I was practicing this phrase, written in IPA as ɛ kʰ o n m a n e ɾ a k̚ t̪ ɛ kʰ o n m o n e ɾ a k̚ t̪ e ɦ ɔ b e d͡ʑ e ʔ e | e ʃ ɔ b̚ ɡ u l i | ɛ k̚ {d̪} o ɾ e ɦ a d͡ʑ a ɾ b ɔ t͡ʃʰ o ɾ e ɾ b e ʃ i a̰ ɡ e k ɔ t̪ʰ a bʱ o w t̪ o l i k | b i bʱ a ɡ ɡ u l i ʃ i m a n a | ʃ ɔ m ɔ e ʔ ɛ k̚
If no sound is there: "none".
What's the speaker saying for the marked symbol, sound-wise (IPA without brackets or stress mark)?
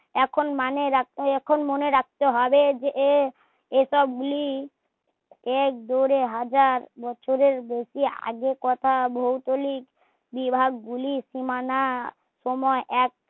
d̪